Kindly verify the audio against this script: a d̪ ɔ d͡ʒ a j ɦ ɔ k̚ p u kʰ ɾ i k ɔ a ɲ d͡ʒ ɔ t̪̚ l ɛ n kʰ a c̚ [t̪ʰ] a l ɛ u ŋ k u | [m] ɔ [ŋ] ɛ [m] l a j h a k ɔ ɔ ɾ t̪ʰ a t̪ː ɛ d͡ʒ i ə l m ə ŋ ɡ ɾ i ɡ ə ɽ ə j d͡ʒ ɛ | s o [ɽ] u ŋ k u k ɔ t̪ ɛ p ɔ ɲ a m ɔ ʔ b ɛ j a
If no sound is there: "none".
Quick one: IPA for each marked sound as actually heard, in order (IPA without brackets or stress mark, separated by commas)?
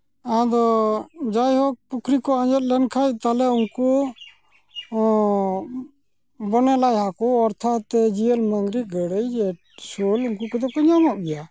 t̪, b, n, none, l